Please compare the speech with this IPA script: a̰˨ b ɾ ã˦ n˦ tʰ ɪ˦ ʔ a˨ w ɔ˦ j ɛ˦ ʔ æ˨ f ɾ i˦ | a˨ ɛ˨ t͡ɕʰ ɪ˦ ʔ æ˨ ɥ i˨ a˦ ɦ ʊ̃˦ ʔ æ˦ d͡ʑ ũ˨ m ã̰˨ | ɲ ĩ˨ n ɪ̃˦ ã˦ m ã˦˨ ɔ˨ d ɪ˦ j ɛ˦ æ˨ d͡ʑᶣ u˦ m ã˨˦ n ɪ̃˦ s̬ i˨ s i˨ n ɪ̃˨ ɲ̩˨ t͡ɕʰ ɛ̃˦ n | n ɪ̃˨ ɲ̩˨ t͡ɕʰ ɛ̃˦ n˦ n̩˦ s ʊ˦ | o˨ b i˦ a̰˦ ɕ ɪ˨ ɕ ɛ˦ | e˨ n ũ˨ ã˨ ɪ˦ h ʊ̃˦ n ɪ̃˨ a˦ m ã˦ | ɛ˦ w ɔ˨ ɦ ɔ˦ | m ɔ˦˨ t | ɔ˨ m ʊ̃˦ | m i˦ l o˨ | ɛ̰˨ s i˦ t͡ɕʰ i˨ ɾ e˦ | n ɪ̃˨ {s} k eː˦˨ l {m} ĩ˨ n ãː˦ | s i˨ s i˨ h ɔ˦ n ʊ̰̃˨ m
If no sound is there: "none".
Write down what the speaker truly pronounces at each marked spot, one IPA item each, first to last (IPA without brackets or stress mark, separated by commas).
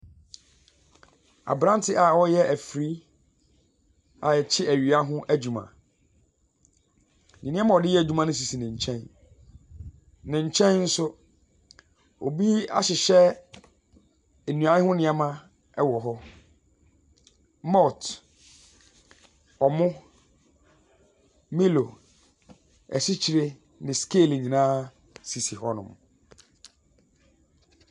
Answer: s, ɲ